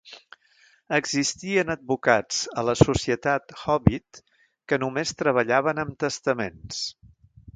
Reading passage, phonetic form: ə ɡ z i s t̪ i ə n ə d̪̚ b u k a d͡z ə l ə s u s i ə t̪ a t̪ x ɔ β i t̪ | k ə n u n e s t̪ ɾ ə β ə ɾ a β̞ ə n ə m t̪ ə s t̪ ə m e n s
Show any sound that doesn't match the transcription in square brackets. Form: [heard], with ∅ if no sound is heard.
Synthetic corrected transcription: ə ɡ z i s t̪ i ə n ə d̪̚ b u k a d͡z ə l ə s u s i ə t̪ a t̪ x ɔ β i t̪ | k ə n u [m] e s t̪ ɾ ə β ə [ʎ] a β̞ ə n ə m t̪ ə s t̪ ə m e n s